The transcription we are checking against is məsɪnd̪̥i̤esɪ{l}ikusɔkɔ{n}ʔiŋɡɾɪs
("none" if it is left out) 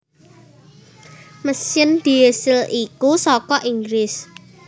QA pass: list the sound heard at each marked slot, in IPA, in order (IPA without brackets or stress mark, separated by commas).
l, none